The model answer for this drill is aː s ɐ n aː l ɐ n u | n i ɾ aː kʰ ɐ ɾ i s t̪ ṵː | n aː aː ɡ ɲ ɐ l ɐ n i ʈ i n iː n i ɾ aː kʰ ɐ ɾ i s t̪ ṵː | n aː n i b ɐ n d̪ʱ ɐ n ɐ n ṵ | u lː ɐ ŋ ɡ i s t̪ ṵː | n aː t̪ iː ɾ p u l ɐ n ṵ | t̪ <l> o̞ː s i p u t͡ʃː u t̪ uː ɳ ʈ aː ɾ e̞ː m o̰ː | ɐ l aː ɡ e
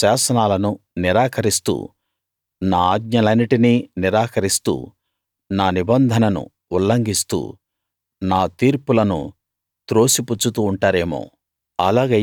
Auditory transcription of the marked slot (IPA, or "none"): ɾ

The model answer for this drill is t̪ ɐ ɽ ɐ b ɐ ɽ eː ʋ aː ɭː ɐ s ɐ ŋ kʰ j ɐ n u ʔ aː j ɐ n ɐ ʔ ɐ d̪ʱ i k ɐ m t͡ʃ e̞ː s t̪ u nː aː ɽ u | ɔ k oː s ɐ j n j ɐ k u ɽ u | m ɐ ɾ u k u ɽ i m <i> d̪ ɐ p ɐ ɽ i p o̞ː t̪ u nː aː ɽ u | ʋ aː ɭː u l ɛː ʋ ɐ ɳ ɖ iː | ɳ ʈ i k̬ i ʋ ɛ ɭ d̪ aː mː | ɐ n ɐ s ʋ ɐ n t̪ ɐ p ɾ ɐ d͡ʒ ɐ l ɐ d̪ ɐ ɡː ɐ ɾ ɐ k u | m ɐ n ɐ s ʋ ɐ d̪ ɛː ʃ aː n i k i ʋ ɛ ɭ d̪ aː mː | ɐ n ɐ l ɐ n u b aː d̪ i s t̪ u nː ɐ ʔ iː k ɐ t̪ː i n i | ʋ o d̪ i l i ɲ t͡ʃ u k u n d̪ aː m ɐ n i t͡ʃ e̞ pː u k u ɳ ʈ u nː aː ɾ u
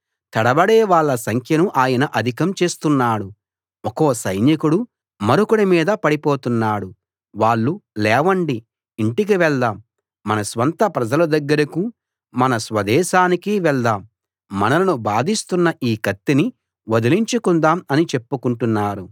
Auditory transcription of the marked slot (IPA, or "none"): iː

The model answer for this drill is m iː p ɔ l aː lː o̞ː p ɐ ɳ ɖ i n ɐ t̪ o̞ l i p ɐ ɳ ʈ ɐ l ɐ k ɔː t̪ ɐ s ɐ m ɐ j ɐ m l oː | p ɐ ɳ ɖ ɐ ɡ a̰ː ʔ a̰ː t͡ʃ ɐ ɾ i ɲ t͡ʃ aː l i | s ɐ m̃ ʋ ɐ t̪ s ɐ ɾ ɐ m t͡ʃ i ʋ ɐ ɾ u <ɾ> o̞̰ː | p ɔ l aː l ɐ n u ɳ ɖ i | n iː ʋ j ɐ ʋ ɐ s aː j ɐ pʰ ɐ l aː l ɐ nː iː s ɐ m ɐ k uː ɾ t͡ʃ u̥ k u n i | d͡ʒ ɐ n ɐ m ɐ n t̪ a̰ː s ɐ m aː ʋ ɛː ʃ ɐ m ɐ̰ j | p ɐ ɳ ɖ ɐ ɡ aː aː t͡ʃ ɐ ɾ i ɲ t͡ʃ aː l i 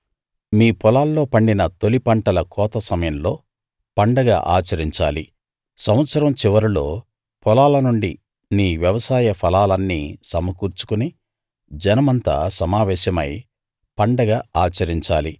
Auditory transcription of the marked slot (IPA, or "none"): l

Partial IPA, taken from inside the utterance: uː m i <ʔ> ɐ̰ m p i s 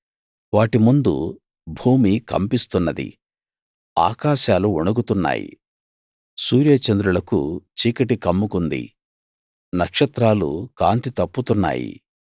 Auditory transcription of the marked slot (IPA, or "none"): k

